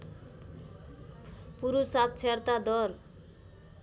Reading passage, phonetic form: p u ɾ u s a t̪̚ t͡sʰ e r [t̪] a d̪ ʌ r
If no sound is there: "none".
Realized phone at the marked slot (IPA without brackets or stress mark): t̪